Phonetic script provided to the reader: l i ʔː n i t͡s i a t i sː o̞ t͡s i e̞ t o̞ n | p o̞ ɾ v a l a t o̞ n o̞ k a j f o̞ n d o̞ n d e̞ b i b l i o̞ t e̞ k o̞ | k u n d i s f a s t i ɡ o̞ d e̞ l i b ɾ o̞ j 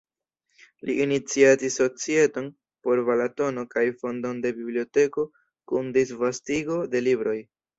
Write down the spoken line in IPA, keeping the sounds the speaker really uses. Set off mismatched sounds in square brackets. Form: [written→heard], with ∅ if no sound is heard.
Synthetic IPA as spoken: l i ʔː n i t͡s i a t i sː o̞ t͡s i e̞ t o̞ n | p o̞ ɾ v a l a t o̞ n o̞ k a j f o̞ n d o̞ n d e̞ b i b l i o̞ t e̞ k o̞ | k u n d i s [f→v] a s t i ɡ o̞ d e̞ l i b ɾ o̞ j

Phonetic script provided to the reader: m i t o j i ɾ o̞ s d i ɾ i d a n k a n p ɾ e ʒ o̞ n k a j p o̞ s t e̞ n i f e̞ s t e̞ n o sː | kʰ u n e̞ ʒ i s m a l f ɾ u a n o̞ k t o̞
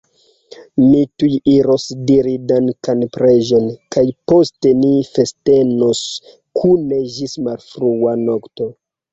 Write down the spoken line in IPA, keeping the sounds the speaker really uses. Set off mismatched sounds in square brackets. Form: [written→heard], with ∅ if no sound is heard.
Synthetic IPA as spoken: m i t [o→u] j i ɾ o̞ s d i ɾ i d a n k a n p ɾ e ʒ o̞ n k a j p o̞ s t e̞ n i f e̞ s t e̞ n o [sː→s] | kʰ u n e̞ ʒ i s m a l f ɾ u a n o̞ k t o̞

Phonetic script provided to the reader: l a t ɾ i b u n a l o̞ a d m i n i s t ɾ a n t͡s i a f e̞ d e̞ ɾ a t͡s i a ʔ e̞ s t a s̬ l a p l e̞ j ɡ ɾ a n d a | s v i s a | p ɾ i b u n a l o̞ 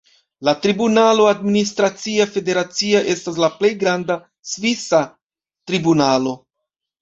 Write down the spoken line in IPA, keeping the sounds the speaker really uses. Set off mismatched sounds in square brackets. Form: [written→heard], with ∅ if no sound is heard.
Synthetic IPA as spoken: l a t ɾ i b u n a l o̞ a d m i n i s t ɾ a [n→∅] t͡s i a f e̞ d e̞ ɾ a t͡s i a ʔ e̞ s t a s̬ l a p l e̞ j ɡ ɾ a n d a | s v i s a | [p→t] ɾ i b u n a l o̞

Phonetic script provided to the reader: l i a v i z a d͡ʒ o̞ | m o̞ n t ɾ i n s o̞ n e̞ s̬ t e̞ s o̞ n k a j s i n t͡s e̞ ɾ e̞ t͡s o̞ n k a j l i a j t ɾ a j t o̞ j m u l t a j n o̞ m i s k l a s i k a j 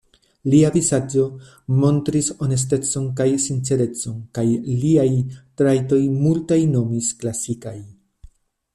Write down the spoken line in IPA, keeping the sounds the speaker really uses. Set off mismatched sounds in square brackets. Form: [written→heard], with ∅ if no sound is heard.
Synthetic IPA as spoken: l i a v i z a d͡ʒ o̞ | m o̞ n t ɾ i [n→∅] s o̞ n e̞ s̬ t e̞ [s→t͡s] o̞ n k a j s i n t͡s e̞ ɾ e̞ t͡s o̞ n k a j l i a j t ɾ a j t o̞ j m u l t a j n o̞ m i s k l a s i k a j

